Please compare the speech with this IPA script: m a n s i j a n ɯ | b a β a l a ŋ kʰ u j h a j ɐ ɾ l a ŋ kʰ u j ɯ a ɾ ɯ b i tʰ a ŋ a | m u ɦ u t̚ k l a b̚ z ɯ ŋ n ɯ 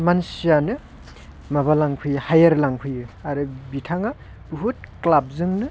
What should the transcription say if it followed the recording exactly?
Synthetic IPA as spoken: m a n s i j a n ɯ | m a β a l a ŋ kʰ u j h a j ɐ ɾ l a ŋ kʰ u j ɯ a ɾ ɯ b i tʰ a ŋ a | b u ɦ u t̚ k l a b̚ z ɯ ŋ n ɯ